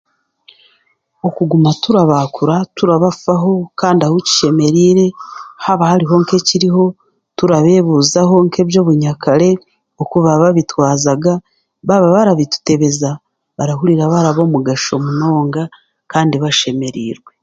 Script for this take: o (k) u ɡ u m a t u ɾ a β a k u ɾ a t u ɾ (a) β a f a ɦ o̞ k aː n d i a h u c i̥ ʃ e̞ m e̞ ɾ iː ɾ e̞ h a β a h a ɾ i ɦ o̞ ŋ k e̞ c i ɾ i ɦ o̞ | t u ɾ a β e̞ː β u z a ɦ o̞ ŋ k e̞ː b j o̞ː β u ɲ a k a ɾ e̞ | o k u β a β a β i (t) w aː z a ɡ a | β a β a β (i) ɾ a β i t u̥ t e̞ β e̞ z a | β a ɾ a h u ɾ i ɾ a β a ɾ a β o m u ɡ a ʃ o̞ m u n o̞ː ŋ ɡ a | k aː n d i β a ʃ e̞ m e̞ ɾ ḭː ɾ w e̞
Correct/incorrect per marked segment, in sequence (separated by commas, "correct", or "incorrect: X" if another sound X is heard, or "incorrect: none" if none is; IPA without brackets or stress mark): correct, correct, correct, incorrect: a